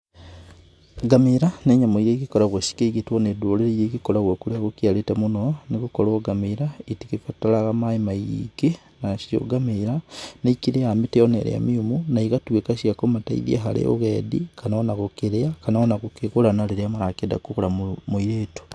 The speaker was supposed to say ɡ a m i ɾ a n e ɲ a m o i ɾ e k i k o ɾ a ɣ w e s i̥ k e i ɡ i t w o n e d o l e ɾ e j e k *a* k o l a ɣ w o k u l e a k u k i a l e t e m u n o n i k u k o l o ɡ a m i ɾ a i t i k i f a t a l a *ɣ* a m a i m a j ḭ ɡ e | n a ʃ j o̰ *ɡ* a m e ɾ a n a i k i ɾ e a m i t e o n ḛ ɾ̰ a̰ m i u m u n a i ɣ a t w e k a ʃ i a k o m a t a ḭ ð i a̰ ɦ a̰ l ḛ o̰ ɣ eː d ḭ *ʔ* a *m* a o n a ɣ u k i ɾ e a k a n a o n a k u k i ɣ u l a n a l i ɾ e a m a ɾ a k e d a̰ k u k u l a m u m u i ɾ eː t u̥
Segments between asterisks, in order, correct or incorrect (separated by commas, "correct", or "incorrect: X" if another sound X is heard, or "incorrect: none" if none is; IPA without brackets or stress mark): incorrect: i, correct, correct, incorrect: k, incorrect: n